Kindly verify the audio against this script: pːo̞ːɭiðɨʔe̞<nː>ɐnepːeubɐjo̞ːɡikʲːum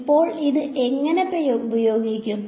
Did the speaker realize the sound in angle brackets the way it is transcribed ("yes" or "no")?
no